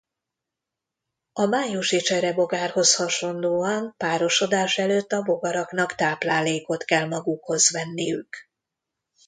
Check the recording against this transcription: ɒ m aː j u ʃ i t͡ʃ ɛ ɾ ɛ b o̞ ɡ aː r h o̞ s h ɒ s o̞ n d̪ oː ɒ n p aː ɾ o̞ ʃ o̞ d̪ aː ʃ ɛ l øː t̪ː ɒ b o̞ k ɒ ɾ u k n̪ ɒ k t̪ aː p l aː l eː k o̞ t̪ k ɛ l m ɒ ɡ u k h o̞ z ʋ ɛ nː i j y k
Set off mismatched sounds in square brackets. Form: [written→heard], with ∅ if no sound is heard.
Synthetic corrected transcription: ɒ m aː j u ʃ i t͡ʃ ɛ ɾ ɛ b o̞ ɡ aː r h o̞ s h ɒ [s→ʃ] o̞ n d̪ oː ɒ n p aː ɾ o̞ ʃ o̞ d̪ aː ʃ ɛ l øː t̪ː ɒ b o̞ [k→ɡ] ɒ ɾ [u→ɒ] k n̪ ɒ k t̪ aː p l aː l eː k o̞ t̪ k ɛ l m ɒ ɡ u k h o̞ z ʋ ɛ nː i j y k